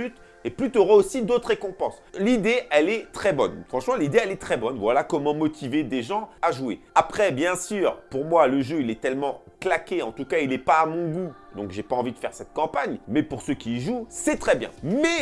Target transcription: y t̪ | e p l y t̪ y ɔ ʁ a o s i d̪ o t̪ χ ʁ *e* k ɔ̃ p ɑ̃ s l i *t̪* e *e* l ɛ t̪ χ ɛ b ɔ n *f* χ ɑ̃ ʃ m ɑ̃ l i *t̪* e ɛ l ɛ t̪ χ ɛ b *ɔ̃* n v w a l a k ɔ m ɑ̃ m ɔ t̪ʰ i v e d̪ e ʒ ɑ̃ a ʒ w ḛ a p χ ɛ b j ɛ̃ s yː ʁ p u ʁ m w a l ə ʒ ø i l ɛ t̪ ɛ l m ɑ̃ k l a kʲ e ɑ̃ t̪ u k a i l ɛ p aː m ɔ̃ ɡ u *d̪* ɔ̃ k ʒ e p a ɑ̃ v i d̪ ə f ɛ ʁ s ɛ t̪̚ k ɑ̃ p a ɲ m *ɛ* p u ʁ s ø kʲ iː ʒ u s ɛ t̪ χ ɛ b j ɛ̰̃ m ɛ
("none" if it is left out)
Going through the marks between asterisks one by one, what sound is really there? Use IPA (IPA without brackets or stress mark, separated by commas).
e, d̪, ɛ, f, d̪, ɔ, d̪, ɛ